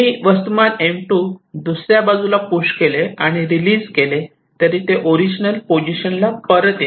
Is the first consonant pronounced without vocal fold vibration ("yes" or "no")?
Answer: no